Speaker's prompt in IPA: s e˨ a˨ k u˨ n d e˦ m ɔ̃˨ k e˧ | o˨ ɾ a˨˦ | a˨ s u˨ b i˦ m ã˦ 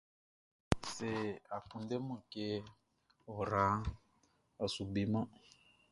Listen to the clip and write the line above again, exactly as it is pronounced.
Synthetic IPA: s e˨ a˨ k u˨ n d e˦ m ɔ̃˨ k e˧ | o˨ ɾ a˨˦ | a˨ s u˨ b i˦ m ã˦